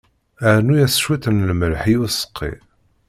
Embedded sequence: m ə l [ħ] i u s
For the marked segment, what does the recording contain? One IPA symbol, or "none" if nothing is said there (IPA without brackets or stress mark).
ħ